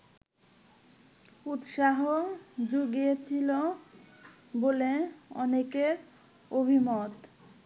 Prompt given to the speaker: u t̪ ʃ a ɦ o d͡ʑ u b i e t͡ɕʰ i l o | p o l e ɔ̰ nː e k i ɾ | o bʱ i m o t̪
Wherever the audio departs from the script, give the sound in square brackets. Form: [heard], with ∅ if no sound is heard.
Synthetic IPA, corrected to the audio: u t̪ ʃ a ɦ o d͡ʑ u [ɡ] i e t͡ɕʰ i l o | [b] o l e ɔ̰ [n] e k [e] ɾ | o bʱ i m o t̪